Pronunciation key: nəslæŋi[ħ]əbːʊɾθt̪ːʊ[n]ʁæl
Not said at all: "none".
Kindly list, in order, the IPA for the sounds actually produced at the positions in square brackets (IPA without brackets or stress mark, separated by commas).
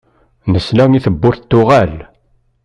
θ, none